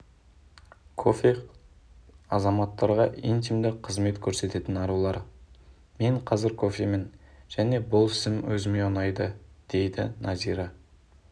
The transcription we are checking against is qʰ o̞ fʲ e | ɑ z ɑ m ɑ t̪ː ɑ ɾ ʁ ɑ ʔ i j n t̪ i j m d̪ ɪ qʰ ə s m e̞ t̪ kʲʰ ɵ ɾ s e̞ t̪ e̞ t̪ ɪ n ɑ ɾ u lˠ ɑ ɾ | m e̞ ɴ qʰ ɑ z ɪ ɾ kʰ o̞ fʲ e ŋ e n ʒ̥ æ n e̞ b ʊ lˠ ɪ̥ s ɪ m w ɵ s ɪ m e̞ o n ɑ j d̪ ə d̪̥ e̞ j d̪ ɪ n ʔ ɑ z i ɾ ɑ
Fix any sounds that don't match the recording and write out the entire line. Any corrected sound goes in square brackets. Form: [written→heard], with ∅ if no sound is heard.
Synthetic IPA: [qʰ→kʰ] o̞ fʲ e | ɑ z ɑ m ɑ t̪ː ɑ ɾ ʁ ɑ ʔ i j n t̪ i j m d̪ ɪ qʰ ə [s→z] m e̞ t̪ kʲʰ ɵ ɾ s e̞ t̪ e̞ t̪ ɪ n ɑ ɾ u lˠ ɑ ɾ | m e̞ ɴ qʰ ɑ z ɪ ɾ kʰ o̞ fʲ e [ŋ→m] e n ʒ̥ æ n e̞ b ʊ lˠ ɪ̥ s ɪ m w ɵ [s→z] ɪ m e̞ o n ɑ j d̪ ə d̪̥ e̞ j d̪ ɪ n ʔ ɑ z i ɾ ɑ